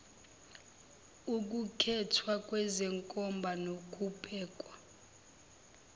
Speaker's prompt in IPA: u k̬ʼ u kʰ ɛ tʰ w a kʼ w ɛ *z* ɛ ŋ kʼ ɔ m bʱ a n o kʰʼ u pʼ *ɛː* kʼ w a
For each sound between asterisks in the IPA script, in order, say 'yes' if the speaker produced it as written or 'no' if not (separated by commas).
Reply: yes, yes